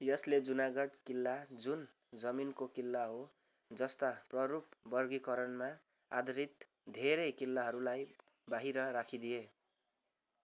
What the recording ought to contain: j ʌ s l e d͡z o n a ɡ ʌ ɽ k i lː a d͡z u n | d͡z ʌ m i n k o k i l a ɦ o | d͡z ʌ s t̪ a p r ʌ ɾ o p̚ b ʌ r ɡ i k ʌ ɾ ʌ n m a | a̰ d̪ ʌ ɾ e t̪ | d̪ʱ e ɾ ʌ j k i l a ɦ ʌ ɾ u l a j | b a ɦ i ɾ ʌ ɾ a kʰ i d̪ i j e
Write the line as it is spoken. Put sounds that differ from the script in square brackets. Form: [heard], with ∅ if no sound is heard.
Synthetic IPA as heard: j ʌ s l e d͡z [u] n a ɡ ʌ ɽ k i lː a d͡z u n | d͡z ʌ m i n k o k i [lː] a ɦ o | d͡z ʌ s t̪ a p r ʌ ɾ [u] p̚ b ʌ r ɡ i k ʌ ɾ ʌ n m a | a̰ d̪ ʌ ɾ [i] t̪ | d̪ʱ e ɾ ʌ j k i [lː] a ɦ ʌ ɾ u l a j | b a ɦ i ɾ ʌ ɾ a kʰ i d̪ i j e

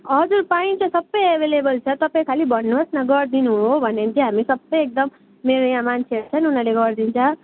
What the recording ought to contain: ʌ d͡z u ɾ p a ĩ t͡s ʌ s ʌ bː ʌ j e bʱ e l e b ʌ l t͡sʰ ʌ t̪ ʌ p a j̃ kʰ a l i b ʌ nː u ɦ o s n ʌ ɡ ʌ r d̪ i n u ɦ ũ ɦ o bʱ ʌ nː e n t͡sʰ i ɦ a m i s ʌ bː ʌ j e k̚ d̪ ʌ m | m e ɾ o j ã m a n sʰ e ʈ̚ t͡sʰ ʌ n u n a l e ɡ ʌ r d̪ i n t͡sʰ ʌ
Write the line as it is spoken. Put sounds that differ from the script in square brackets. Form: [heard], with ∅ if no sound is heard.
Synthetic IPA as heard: ʌ d͡z u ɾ p a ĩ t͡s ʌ s ʌ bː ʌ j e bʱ e l e b ʌ l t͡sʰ ʌ t̪ ʌ p a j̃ kʰ a l i b ʌ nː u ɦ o s n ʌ ɡ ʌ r d̪ i n u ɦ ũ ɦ o bʱ ʌ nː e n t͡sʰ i ɦ a m i s ʌ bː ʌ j e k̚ d̪ ʌ m | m e ɾ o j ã m a n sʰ e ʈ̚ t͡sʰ ʌ n u n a l e ɡ ʌ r d̪ i n t͡sʰ ʌ

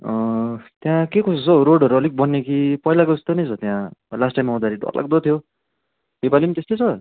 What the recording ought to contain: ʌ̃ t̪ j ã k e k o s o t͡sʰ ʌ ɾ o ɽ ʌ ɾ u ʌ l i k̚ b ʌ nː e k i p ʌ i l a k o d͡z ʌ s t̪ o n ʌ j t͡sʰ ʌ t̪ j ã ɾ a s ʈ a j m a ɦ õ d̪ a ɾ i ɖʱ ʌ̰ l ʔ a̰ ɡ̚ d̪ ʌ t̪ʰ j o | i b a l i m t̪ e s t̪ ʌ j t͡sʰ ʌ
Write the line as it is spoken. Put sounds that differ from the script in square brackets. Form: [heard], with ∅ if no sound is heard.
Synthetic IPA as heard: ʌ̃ t̪ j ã k e k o s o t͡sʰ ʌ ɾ o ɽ ʌ ɾ u ʌ l i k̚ b ʌ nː e k i p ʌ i l a k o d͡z ʌ s t̪ o n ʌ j t͡sʰ ʌ t̪ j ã [l] a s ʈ a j m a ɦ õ d̪ a ɾ i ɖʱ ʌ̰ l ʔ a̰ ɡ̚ d̪ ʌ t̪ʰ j o | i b a l i m t̪ e s t̪ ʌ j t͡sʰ ʌ

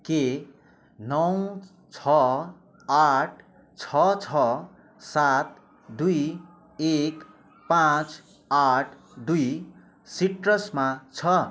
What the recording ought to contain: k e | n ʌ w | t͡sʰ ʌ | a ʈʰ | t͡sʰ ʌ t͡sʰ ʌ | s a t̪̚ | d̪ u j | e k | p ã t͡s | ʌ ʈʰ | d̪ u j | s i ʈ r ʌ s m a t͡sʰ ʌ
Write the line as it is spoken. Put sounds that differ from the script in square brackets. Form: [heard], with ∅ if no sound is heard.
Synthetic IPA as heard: k e | n ʌ w | t͡sʰ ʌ | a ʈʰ | t͡sʰ ʌ t͡sʰ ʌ | s a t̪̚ | d̪ u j | e k | p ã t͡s | [a] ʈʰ | d̪ u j | s i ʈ r ʌ s m a t͡sʰ ʌ

